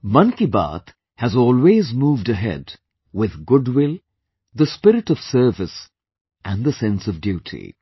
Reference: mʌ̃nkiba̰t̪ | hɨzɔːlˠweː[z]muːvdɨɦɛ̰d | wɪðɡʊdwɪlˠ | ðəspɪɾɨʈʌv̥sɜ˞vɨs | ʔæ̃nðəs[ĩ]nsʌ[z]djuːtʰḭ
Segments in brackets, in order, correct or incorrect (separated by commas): correct, incorrect, incorrect